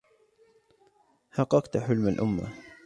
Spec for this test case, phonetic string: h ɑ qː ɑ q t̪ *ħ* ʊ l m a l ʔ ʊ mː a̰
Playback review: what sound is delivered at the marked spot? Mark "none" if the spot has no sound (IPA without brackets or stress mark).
ħ